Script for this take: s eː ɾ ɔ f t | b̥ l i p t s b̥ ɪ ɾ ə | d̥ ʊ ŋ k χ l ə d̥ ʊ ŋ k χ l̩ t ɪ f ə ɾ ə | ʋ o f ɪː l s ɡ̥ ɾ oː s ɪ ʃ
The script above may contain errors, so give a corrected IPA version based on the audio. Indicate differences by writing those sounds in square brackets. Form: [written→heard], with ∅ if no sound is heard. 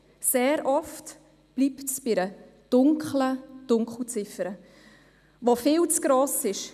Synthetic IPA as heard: s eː ɾ ɔ f t | b̥ l i p t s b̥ ɪ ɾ ə | d̥ ʊ ŋ k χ l ə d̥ ʊ ŋ k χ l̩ [t→t͡s] ɪ f ə ɾ ə | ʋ o f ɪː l [s→t͡s] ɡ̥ ɾ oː s ɪ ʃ